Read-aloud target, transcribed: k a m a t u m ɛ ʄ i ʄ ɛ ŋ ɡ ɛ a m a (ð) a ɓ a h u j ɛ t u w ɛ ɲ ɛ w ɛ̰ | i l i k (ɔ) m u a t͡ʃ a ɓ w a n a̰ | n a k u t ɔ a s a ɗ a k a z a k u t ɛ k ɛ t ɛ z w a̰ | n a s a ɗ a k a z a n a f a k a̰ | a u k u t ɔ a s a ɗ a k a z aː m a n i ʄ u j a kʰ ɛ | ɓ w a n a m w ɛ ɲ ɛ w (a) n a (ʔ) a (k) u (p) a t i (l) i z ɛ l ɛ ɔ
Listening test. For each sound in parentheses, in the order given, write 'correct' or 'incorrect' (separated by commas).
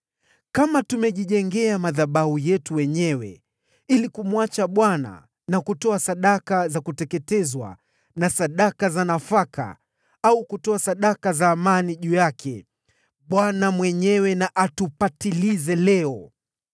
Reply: correct, incorrect, incorrect, correct, incorrect, correct, correct